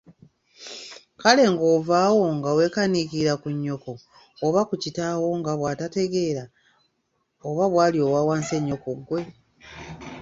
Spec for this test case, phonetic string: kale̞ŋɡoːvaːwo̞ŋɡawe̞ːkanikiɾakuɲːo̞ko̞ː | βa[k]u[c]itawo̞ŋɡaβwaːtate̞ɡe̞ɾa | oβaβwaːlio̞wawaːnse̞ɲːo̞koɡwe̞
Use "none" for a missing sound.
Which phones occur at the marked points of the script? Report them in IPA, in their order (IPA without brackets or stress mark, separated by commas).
k, c